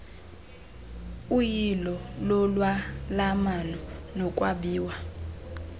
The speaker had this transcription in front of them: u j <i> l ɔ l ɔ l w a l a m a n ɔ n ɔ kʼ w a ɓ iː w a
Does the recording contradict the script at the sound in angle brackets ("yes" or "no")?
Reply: no